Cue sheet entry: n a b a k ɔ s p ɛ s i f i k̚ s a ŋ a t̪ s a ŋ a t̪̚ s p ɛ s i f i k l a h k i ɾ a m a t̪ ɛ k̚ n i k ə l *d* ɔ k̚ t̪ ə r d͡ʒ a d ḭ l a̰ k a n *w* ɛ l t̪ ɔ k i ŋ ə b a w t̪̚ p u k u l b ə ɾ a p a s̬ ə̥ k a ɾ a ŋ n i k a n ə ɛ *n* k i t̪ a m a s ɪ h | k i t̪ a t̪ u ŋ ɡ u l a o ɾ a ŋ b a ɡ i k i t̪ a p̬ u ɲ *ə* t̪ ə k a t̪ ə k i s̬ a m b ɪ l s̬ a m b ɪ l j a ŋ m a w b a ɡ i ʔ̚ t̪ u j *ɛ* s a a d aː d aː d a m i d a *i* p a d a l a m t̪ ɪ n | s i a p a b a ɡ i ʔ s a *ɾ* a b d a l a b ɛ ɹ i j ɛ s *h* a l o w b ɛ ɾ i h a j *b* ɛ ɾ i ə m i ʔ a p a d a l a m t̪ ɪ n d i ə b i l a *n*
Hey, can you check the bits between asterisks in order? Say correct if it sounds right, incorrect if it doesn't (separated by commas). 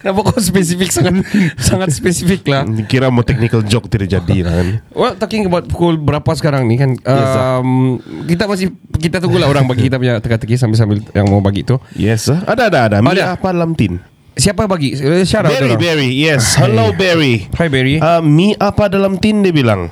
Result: incorrect, correct, incorrect, incorrect, correct, incorrect, correct, correct, correct, incorrect